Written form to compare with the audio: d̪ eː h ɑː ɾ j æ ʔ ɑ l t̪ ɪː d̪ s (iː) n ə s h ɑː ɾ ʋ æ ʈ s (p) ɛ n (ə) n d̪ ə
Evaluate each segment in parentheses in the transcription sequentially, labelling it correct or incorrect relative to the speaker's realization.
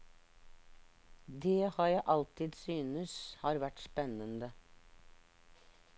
incorrect: yː, correct, correct

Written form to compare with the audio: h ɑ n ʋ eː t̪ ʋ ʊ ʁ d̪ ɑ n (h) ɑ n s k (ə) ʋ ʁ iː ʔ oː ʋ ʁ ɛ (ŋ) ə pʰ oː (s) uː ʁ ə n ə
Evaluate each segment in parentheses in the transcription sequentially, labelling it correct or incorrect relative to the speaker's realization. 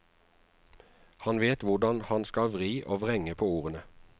correct, incorrect: ɑ, correct, incorrect: none

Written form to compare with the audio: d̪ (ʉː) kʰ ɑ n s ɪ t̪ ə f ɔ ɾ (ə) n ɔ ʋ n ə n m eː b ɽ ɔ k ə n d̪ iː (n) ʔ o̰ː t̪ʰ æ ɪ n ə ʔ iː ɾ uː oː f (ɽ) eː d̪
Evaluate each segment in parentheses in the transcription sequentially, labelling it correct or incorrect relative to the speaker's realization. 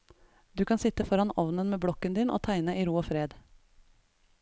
correct, incorrect: ɑ, correct, incorrect: ɾ

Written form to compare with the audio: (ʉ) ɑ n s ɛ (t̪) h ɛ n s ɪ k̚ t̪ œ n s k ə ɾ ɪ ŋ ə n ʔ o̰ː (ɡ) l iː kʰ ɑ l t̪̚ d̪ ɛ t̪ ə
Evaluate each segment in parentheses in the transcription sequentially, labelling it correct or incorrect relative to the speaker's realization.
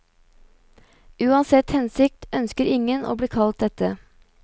incorrect: ʉː, correct, incorrect: b

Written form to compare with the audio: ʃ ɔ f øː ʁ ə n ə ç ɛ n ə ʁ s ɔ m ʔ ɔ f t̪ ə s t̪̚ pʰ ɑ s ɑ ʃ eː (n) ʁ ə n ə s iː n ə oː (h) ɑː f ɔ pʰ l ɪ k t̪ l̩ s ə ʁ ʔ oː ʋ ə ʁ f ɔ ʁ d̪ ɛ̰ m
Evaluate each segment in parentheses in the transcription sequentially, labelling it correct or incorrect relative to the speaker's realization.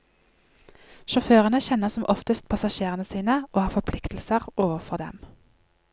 incorrect: none, correct

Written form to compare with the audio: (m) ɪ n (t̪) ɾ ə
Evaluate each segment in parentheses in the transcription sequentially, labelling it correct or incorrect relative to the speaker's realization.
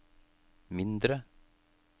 correct, incorrect: d̪

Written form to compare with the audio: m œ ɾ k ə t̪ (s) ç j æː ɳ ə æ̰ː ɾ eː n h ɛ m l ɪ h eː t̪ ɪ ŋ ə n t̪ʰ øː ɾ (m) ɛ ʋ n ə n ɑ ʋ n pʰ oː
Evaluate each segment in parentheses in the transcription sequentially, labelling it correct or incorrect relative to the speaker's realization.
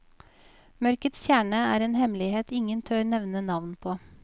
correct, incorrect: n

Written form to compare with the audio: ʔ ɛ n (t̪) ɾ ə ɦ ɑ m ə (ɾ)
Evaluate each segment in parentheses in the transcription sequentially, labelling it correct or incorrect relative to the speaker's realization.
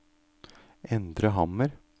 incorrect: d̪, correct

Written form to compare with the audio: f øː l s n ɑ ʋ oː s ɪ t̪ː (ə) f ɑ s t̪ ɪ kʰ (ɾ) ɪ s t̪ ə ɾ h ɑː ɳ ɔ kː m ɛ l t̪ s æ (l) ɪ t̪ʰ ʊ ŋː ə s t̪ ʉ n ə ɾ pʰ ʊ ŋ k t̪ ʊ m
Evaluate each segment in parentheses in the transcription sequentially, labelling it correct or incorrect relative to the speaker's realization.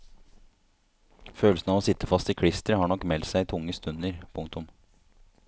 correct, incorrect: ɽ, incorrect: none

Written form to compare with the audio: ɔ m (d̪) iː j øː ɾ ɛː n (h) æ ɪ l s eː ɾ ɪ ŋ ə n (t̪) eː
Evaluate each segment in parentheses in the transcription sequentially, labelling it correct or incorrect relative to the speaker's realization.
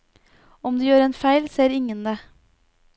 correct, incorrect: f, incorrect: d̪

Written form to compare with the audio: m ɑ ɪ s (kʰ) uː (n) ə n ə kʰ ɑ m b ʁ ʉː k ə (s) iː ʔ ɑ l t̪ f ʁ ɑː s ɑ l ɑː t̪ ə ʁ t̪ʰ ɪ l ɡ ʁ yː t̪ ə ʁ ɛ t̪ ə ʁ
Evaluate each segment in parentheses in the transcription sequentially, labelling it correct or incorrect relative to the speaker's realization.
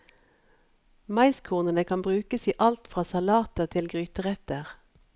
correct, correct, correct

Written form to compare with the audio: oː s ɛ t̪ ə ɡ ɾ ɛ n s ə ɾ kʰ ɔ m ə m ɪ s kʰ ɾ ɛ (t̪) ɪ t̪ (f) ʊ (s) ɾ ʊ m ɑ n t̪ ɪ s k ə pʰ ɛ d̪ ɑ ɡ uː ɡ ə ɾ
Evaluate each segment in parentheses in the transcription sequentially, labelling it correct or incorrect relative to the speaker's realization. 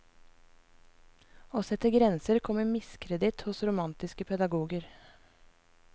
incorrect: d̪, incorrect: h, correct

